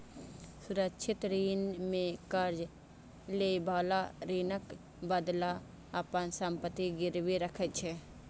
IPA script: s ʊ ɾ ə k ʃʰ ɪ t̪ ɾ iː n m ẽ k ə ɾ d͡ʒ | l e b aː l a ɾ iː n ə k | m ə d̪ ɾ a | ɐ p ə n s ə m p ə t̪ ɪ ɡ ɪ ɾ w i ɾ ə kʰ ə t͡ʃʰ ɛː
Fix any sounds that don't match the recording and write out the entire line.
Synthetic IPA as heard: s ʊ ɾ ə k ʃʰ ɪ t̪ ɾ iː n m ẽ k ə ɾ d͡ʒ | l e b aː l a ɾ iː n ə k | b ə d̪ l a | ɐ p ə n s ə m p ə t̪ i ɡ ɪ ɾ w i ɾ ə kʰ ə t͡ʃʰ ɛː